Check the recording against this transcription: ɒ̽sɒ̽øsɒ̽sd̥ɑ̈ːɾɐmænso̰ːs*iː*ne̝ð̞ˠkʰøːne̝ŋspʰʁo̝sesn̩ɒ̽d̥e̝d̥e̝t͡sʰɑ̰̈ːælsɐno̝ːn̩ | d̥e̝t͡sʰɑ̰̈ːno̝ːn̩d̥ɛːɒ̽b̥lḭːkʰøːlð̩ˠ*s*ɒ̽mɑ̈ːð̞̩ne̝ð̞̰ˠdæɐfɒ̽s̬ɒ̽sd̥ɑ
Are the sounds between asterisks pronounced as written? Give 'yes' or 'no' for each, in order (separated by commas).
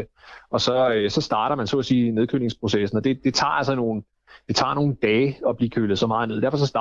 yes, yes